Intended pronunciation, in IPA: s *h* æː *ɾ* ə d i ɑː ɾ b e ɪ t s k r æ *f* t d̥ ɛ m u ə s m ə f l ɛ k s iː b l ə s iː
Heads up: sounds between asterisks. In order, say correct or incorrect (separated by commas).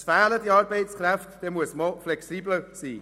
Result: incorrect, incorrect, correct